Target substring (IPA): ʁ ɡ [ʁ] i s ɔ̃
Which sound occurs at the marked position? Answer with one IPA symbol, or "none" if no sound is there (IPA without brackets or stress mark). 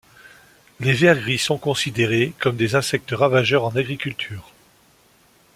ʁ